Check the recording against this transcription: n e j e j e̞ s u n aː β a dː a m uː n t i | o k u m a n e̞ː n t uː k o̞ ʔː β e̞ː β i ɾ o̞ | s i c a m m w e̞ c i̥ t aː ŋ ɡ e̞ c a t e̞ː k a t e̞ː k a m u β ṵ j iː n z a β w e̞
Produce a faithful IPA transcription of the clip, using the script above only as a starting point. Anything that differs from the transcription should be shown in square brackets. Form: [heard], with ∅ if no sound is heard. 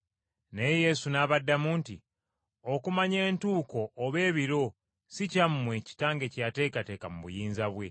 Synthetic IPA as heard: n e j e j e̞ s u n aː β a dː a m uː n t i | o k u m a [ɲ] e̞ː n t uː k o̞ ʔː β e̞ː β i ɾ o̞ | s i c a m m w e̞ c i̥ t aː ŋ ɡ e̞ c a t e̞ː k a t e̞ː k a m u β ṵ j iː n z a β w e̞